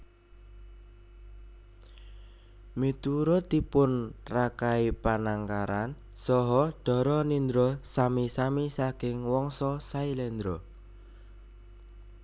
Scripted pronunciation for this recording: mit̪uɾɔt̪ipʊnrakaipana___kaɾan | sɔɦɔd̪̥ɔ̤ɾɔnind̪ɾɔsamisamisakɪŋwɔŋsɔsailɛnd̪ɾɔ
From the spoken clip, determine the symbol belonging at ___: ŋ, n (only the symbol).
ŋ